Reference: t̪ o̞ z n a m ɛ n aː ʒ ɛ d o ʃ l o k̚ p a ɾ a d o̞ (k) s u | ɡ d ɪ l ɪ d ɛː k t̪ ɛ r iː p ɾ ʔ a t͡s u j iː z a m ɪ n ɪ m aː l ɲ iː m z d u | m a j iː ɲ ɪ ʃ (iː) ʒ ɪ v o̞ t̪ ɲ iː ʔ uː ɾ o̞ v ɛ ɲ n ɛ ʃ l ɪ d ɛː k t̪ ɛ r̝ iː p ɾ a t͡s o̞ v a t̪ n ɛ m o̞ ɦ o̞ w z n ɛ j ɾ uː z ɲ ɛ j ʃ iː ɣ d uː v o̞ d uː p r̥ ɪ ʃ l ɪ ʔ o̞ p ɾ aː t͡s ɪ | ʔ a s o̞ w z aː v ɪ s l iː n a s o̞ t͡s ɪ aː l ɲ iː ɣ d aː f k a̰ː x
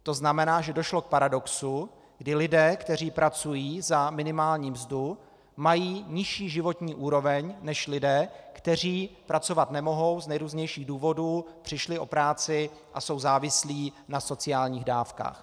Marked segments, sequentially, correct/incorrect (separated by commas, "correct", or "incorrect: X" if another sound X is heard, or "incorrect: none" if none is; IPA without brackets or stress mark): correct, correct